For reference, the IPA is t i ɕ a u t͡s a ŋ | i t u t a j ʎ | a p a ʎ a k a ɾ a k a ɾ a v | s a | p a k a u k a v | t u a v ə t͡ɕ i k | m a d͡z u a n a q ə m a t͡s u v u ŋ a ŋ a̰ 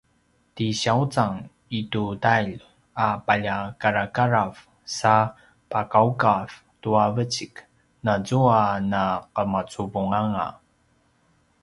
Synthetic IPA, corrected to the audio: t i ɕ a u t͡s a ŋ | i t u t a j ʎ | a p a ʎ a k a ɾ a k a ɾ a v | s a | p a k a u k a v | t u a v ə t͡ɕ i k | n a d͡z u a n a q ə m a t͡s u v u ŋ a ŋ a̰